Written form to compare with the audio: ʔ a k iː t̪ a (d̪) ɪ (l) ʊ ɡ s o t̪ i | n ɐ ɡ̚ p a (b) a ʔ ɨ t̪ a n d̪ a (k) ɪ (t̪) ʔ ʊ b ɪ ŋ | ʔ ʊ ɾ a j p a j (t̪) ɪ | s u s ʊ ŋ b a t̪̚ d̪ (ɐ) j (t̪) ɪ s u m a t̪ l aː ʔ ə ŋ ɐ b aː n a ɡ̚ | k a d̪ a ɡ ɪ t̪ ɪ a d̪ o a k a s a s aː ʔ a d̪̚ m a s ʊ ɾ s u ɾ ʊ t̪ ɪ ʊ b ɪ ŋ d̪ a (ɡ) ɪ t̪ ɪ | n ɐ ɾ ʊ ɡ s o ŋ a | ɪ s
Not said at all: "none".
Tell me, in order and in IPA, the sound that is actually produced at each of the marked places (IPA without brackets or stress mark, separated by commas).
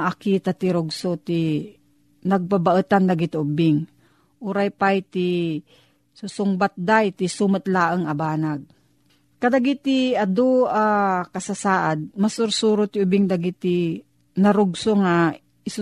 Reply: t̪, ɾ, b, ɡ, t̪, t̪, a, t̪, ɡ